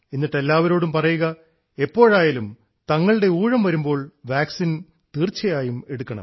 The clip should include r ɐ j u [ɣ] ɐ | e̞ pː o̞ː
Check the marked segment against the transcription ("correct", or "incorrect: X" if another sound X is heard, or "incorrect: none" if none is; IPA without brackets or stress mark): correct